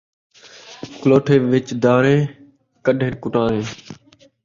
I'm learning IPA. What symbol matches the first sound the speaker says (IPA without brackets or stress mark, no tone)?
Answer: k